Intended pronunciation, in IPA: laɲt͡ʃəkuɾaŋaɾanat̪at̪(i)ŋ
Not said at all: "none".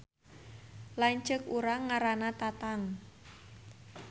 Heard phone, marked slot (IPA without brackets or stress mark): a